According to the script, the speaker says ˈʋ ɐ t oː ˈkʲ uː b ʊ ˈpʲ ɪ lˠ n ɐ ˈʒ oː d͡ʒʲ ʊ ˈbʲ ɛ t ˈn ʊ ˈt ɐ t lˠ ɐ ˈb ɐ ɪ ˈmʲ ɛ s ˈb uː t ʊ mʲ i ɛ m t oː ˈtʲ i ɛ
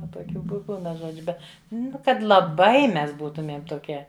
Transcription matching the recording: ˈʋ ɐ t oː ˈkʲ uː b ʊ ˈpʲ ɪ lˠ n ɐ ˈʒ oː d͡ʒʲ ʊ ˈbʲ ɛ t ˈn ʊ ˈk ɐ t lˠ ɐ ˈb ɐ ɪ ˈmʲ ɛ s ˈb uː t ʊ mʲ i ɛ m t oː ˈkʲ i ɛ